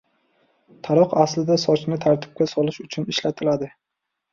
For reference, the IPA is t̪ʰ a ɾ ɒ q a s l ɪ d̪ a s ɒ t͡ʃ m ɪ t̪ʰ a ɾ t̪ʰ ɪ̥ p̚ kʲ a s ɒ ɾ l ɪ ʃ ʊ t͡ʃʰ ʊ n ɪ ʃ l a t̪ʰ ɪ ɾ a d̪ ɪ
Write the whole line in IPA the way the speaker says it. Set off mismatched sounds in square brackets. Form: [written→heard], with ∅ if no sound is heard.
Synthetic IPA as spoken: t̪ʰ a ɾ ɒ q a s l ɪ d̪ a s ɒ t͡ʃ [m→n] ɪ t̪ʰ a ɾ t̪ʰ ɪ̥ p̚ kʲ a s ɒ [ɾ→∅] l ɪ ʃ ʊ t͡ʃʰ ʊ n ɪ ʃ l a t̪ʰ ɪ [ɾ→l] a d̪ ɪ